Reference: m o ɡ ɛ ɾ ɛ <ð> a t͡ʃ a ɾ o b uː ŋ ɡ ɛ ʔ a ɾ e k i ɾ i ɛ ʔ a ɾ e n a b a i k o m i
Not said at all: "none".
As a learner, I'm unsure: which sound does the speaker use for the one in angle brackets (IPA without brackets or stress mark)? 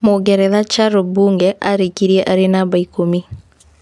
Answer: ð